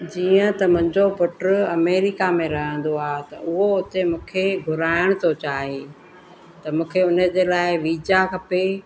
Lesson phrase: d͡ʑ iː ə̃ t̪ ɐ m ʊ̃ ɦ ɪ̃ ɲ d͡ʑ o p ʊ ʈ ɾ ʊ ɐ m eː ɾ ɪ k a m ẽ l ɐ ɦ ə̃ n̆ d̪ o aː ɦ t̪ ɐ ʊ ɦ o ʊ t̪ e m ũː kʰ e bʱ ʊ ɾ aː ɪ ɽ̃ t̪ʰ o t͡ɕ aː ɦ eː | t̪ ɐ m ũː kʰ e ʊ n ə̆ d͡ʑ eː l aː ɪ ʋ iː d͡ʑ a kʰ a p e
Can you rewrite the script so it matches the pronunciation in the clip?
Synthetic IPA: d͡ʑ iː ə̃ t̪ ɐ m ʊ̃ ɦ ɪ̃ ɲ d͡ʑ o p ʊ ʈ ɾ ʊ ɐ m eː ɾ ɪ k a m ẽ ɾ ɐ ɦ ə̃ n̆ d̪ o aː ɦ t̪ ɐ ʊ ɦ o ʊ t̪ e m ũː kʰ e ɡʱ ʊ ɾ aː ɪ ɽ̃ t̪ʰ o t͡ɕ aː ɦ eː | t̪ ɐ m ũː kʰ e ʊ n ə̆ d͡ʑ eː l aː ɪ ʋ iː d͡ʑ a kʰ ɐ p e